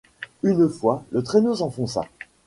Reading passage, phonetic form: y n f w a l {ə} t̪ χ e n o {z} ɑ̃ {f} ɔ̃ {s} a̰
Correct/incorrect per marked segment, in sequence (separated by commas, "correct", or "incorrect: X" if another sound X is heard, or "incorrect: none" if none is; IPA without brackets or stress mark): correct, incorrect: s, correct, correct